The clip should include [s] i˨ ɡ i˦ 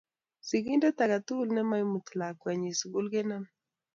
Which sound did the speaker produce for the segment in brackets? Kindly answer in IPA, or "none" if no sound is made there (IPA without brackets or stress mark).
s